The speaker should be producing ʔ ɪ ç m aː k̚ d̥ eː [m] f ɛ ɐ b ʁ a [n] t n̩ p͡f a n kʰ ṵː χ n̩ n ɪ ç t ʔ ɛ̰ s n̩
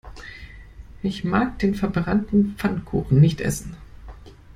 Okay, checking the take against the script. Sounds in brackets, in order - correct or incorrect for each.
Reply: incorrect: n, correct

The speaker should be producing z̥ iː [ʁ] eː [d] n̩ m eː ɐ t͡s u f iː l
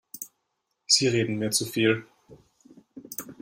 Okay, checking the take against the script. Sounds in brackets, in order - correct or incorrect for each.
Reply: correct, correct

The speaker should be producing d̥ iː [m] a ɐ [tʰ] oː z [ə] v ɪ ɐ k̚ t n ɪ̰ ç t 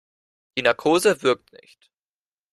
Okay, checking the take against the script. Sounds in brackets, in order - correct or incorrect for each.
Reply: incorrect: n, incorrect: kʰ, correct

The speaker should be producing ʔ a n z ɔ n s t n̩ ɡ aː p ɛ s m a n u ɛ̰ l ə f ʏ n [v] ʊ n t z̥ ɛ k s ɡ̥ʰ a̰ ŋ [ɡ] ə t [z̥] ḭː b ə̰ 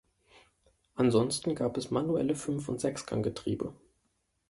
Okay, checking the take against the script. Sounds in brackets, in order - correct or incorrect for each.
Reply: incorrect: f, correct, incorrect: ʁ̥

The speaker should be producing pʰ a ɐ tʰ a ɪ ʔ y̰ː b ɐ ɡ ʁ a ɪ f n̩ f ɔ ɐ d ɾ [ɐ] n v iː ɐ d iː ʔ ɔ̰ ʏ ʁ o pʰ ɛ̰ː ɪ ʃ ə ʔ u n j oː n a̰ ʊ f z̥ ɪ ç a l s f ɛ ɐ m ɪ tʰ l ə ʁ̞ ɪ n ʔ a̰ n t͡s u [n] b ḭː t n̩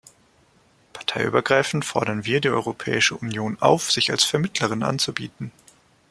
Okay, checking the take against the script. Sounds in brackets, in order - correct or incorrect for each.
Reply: correct, incorrect: none

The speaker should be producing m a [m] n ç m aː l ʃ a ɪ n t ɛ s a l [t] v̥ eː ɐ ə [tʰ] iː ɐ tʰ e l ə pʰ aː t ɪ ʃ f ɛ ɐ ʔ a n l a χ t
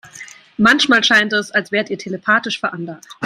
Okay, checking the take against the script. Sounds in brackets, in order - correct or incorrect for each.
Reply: incorrect: none, incorrect: s, incorrect: t

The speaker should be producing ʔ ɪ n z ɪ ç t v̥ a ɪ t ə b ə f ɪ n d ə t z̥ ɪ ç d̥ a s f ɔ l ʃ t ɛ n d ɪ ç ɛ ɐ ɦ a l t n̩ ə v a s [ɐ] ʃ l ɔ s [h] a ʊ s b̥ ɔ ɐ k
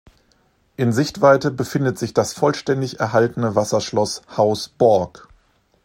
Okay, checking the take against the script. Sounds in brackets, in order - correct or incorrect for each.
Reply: correct, correct

